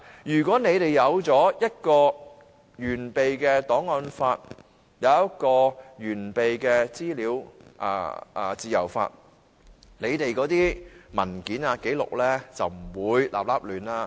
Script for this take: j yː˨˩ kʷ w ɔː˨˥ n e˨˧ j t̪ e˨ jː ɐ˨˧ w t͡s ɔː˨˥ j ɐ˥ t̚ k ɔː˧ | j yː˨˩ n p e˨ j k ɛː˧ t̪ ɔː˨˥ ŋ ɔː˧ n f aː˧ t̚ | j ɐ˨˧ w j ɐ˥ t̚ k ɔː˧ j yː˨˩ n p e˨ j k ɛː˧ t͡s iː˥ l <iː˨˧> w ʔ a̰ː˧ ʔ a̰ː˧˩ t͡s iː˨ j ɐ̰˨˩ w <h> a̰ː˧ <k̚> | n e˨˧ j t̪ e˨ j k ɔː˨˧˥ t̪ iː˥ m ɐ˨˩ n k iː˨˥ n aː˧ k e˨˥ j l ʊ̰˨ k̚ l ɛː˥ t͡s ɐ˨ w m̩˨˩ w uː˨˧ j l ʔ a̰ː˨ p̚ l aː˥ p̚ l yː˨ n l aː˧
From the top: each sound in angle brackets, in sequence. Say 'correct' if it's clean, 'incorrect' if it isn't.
correct, incorrect: f, incorrect: t̚

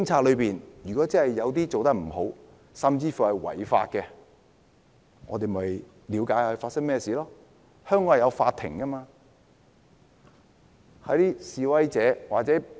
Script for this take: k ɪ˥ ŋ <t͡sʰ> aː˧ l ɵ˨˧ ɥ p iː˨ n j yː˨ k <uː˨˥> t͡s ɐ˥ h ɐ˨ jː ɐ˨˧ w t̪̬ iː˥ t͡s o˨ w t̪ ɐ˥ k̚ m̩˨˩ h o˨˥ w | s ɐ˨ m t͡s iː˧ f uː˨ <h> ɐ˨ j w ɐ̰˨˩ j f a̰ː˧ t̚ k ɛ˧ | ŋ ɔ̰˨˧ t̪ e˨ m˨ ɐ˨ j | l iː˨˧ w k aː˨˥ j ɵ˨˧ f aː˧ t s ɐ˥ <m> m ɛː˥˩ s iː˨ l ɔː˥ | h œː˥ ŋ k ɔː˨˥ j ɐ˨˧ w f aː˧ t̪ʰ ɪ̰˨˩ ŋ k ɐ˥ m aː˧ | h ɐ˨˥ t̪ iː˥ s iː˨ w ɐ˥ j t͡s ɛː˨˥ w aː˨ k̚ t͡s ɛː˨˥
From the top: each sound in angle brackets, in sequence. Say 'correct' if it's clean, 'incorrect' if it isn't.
correct, incorrect: ɔː˨˥, correct, incorrect: ŋ

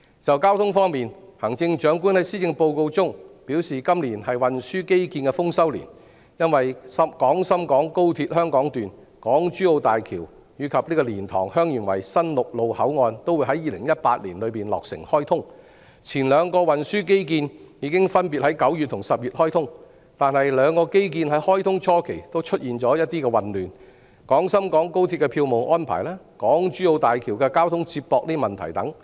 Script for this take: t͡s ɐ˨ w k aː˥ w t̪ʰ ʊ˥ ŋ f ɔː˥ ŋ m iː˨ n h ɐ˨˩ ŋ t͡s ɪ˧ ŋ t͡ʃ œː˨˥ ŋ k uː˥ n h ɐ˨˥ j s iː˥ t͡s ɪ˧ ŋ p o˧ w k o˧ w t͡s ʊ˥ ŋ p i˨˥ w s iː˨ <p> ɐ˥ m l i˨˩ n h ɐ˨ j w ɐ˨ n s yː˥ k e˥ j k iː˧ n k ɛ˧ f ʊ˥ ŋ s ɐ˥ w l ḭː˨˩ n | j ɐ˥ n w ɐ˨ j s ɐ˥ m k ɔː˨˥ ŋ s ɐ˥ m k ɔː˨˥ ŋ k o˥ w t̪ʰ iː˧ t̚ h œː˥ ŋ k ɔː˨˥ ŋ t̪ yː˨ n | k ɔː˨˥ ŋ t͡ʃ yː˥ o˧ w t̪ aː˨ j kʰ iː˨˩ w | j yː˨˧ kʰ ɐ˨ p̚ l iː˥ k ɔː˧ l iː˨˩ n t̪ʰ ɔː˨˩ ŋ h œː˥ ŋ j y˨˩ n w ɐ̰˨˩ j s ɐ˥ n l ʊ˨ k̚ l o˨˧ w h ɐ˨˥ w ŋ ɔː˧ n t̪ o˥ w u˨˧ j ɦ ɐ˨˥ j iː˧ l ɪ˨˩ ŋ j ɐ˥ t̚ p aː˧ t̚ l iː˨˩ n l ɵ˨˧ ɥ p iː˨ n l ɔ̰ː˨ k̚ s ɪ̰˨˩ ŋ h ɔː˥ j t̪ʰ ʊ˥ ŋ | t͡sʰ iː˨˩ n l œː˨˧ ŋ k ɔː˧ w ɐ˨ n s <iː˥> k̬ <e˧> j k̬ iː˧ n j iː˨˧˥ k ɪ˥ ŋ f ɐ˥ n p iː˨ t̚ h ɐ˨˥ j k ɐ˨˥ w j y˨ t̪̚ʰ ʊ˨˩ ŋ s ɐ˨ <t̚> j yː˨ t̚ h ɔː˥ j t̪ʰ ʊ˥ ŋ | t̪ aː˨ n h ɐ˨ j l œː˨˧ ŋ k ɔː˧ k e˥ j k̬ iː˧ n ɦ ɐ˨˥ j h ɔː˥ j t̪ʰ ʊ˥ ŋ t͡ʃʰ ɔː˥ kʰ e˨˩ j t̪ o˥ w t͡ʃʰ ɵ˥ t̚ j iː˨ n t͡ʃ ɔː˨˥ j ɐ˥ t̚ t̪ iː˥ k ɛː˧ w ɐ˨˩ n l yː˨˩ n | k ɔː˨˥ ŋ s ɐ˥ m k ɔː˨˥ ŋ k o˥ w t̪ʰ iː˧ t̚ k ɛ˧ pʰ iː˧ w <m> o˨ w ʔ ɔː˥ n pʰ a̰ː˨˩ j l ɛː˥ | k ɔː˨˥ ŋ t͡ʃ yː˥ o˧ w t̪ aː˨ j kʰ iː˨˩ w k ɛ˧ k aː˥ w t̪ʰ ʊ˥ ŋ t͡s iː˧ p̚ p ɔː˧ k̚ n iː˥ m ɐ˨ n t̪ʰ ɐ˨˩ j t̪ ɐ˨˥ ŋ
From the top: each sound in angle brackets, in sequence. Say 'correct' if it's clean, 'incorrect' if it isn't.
incorrect: k, incorrect: yː˥, incorrect: e˥, incorrect: p̚, correct

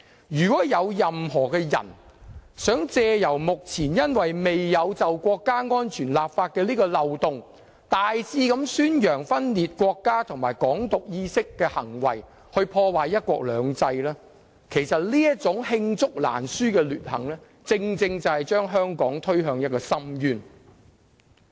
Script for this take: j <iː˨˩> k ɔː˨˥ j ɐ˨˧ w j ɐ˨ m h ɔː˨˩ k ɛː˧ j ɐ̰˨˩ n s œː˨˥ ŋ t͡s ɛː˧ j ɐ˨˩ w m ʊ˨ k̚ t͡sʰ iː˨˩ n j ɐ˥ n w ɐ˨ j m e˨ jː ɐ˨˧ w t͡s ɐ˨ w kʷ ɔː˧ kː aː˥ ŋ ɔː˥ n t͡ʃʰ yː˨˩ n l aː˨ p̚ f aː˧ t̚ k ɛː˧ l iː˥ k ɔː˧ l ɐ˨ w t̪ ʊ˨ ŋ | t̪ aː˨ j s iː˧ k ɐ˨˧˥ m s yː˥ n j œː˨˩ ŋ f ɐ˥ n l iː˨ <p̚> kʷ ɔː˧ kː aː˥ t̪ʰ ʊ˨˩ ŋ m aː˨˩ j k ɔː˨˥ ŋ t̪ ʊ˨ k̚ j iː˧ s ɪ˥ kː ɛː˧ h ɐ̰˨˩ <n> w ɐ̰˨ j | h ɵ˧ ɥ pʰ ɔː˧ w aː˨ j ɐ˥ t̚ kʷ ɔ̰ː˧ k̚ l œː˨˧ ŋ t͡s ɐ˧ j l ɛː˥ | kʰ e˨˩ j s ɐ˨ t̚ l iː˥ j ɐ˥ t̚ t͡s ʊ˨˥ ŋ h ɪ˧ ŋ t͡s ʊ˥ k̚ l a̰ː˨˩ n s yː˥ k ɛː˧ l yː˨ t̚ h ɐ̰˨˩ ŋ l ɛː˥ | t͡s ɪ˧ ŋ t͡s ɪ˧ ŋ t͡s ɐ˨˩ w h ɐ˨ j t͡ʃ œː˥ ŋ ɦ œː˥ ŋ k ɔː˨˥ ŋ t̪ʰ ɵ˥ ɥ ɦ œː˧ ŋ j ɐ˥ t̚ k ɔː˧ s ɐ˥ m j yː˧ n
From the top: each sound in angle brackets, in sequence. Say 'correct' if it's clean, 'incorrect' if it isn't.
incorrect: yː˨˩, incorrect: t̚, incorrect: ŋ

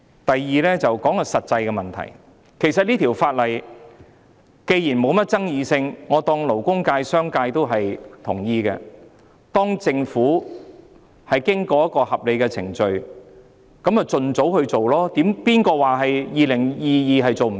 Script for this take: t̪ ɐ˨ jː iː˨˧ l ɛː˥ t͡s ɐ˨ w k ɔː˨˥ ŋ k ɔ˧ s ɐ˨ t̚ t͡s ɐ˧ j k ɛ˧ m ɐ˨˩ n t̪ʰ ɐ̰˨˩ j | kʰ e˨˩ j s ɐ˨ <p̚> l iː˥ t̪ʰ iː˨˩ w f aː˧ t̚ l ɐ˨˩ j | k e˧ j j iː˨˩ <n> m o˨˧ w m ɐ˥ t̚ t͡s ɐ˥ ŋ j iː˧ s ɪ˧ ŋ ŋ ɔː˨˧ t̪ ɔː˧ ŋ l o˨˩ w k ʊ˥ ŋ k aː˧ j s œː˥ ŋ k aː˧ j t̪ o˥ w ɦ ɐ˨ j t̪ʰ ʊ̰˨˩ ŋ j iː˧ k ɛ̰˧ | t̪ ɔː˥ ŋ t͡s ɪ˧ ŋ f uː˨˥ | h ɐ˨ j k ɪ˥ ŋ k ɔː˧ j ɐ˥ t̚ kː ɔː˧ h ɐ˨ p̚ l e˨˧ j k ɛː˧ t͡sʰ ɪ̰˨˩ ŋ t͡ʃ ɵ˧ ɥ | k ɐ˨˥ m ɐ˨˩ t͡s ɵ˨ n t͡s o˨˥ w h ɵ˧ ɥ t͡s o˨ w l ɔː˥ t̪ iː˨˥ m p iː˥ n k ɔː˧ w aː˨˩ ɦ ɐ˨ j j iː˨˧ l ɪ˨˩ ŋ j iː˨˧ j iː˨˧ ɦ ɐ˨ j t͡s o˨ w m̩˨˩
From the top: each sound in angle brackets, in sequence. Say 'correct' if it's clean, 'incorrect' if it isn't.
incorrect: t̚, correct

